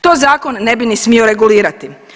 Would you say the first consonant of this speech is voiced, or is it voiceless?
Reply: voiceless